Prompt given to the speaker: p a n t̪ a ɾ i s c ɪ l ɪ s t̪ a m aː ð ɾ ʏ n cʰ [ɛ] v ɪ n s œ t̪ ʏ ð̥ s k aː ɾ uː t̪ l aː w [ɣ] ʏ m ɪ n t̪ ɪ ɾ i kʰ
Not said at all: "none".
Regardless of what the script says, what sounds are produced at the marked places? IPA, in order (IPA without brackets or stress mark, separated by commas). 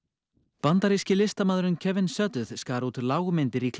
ɛ, ɣ